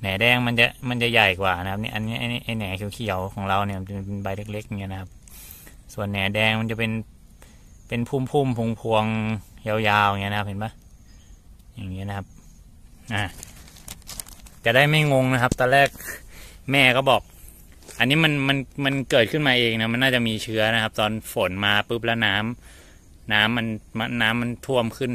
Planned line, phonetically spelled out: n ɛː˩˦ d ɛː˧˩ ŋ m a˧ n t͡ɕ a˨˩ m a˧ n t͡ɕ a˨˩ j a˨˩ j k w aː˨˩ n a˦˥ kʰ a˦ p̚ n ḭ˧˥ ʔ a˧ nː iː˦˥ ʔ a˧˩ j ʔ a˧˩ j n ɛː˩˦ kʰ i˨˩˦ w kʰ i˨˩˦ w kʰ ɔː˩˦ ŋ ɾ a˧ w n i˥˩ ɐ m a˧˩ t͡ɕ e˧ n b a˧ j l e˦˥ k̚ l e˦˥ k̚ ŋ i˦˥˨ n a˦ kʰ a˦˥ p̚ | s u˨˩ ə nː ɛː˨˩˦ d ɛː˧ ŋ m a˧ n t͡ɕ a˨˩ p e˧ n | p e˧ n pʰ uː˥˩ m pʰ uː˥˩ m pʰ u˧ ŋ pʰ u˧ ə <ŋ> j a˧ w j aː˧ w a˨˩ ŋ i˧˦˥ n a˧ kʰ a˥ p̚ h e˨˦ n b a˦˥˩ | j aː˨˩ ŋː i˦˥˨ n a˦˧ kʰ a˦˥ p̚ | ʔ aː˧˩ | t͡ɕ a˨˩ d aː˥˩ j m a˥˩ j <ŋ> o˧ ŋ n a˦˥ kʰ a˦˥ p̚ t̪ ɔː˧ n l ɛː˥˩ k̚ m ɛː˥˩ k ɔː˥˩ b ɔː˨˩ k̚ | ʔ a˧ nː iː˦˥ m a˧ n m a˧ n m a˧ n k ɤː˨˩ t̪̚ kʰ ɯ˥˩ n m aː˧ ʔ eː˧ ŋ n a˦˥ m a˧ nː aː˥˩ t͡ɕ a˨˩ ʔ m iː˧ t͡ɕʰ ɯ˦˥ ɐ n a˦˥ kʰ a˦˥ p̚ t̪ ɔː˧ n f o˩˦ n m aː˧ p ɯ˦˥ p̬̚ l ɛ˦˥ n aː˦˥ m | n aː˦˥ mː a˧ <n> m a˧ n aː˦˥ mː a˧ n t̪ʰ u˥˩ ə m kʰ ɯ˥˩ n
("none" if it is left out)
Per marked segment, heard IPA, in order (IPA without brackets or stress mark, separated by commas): ŋ, ŋ, n